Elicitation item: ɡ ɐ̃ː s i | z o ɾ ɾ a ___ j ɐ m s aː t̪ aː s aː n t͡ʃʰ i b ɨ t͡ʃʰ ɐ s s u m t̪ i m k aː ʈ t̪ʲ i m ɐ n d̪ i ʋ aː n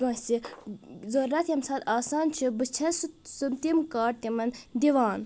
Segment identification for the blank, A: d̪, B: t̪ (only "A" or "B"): B